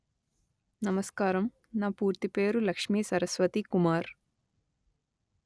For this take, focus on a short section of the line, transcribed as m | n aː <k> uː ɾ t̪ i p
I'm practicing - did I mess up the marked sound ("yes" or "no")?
yes